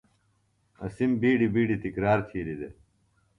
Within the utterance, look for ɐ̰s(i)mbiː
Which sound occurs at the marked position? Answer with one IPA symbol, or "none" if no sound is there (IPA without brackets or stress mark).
i